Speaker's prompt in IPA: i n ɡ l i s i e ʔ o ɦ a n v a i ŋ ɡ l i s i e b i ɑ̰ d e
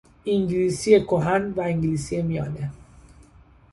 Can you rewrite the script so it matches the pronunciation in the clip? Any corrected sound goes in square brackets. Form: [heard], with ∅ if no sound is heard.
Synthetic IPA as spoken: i [ŋ] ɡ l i s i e [k] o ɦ a n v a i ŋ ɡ l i s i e [m] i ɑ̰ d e